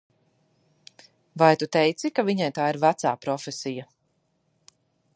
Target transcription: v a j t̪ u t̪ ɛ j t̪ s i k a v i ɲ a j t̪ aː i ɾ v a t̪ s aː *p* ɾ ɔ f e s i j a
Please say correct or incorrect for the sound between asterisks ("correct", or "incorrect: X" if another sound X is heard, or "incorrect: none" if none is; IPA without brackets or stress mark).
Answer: correct